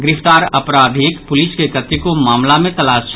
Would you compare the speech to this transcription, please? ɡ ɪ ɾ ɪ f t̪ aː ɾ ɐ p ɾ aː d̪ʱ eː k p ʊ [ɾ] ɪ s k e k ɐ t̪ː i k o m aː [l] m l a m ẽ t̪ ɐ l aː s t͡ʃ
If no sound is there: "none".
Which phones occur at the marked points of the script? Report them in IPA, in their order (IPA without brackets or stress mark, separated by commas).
l, none